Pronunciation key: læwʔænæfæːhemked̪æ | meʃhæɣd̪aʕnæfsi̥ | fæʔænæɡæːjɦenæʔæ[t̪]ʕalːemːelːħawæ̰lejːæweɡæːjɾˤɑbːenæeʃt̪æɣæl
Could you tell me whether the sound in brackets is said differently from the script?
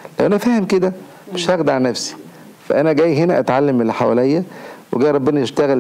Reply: no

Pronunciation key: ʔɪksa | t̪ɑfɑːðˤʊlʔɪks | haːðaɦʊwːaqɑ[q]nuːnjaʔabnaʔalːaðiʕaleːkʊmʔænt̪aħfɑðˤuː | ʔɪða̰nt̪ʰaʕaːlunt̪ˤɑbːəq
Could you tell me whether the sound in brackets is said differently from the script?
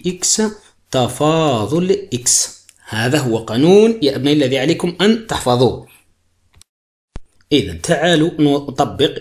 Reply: yes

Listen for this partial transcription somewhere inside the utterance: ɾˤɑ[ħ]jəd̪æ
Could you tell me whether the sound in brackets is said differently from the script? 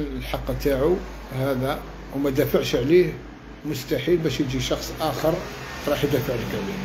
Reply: no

